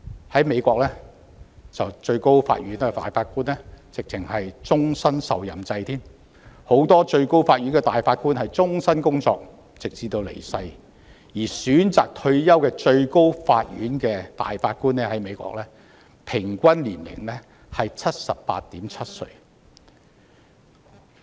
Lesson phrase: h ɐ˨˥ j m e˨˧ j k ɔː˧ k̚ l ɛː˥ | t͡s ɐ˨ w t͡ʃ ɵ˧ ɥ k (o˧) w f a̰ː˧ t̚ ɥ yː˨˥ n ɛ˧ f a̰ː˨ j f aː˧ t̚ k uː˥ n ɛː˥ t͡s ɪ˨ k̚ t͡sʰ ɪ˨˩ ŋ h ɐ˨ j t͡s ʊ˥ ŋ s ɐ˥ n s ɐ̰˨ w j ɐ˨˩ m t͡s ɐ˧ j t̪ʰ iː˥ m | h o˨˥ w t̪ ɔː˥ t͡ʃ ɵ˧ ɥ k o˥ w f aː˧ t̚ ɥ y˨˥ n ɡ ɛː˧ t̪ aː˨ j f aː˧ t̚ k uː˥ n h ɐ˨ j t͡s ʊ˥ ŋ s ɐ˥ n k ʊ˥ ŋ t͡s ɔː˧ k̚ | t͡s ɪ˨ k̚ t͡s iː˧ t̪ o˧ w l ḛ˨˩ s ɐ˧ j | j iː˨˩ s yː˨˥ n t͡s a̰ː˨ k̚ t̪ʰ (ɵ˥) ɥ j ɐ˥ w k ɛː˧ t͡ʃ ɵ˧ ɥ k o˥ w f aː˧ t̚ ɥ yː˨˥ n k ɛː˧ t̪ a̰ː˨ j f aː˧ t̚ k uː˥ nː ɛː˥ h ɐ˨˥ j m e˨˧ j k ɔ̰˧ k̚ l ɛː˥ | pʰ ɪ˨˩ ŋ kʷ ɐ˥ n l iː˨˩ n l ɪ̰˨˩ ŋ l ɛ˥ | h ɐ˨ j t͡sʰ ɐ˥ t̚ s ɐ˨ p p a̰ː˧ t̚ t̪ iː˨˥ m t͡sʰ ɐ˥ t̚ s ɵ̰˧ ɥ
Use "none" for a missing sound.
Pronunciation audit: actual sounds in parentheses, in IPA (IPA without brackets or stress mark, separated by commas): o˥, ɵ˧